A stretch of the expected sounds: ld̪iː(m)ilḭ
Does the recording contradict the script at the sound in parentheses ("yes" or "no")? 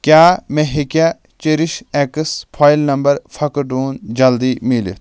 no